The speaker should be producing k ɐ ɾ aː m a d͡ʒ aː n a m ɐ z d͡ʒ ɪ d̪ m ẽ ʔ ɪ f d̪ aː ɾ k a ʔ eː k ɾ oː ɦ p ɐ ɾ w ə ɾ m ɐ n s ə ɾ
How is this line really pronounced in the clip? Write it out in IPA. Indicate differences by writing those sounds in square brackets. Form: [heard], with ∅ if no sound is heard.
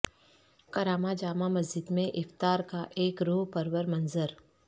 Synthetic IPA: k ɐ ɾ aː m a d͡ʒ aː [m] a m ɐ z d͡ʒ ɪ d̪ m ẽ ʔ ɪ f [t̪] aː ɾ k a ʔ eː k ɾ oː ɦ p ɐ ɾ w ə ɾ m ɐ n [z] ə ɾ